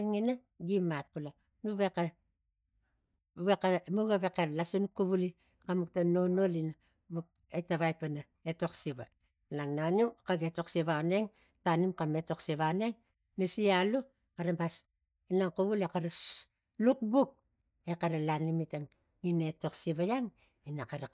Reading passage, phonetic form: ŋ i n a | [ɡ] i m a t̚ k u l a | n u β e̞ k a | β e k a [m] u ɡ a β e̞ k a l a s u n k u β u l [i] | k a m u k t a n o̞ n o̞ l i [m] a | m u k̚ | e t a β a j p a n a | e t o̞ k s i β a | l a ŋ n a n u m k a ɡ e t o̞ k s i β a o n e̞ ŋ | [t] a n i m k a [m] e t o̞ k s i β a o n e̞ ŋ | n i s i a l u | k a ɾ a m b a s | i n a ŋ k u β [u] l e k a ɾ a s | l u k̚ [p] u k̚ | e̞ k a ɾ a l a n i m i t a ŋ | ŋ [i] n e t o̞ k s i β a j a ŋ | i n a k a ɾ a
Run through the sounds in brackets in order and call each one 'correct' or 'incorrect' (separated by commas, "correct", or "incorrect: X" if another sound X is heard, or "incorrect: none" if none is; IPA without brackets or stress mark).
correct, correct, correct, incorrect: n, correct, correct, correct, incorrect: b, correct